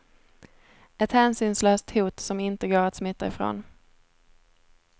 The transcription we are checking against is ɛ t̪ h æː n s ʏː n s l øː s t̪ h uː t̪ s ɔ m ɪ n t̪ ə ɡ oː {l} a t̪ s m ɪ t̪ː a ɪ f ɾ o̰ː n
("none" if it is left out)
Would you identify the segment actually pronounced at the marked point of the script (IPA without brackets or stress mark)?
ɾ